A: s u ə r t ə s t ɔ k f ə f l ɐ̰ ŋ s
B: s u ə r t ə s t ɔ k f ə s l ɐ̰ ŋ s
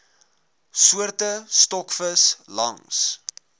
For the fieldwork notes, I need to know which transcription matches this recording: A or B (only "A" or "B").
B